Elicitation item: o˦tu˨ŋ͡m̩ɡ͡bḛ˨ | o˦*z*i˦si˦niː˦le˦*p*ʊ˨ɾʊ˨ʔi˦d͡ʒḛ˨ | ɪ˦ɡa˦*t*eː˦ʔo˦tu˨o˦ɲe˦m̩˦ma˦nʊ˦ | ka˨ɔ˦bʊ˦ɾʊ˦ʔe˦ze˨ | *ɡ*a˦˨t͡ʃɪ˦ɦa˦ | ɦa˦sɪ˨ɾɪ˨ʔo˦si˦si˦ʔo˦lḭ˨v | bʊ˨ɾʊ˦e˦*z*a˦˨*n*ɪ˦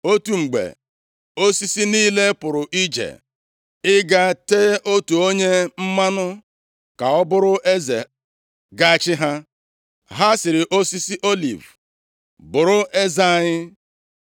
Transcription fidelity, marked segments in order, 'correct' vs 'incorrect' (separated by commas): incorrect, correct, correct, correct, correct, incorrect